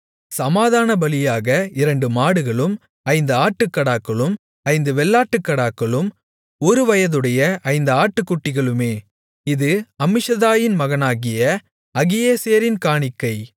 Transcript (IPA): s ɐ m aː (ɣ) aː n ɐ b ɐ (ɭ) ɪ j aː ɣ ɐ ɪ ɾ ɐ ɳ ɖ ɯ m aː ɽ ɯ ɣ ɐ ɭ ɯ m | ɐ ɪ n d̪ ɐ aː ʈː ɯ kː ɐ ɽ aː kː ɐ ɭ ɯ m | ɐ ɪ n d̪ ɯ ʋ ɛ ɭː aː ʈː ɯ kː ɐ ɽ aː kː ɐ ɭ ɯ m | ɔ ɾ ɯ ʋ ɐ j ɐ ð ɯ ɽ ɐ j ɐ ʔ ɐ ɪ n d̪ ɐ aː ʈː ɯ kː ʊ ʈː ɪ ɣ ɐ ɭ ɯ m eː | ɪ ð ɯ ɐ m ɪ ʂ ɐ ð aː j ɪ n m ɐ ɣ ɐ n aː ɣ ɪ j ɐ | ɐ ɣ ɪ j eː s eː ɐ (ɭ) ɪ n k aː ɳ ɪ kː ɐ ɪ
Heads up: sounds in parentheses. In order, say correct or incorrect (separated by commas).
incorrect, incorrect, incorrect